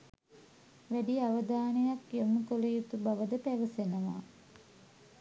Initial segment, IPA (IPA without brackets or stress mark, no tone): ʋ